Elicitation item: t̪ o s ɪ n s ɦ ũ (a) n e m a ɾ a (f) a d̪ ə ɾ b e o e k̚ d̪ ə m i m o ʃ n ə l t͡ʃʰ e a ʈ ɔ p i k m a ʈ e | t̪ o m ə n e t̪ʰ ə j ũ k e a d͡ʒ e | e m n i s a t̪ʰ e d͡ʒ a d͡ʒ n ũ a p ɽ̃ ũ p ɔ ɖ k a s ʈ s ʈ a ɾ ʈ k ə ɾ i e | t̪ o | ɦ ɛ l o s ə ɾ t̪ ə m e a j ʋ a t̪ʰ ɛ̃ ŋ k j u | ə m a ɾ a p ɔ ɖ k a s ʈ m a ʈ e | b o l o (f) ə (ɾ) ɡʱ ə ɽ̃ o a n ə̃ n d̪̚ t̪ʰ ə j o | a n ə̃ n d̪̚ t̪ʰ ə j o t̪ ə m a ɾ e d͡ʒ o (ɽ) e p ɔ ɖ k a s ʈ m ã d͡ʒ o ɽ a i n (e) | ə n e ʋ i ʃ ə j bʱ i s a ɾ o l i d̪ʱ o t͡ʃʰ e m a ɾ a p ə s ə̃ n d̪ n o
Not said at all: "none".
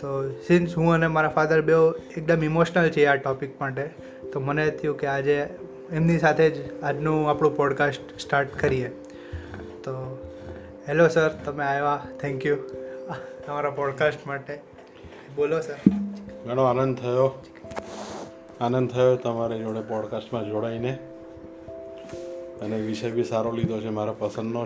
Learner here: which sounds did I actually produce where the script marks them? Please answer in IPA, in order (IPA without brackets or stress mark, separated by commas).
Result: ə, f, s, ɾ, ɽ, e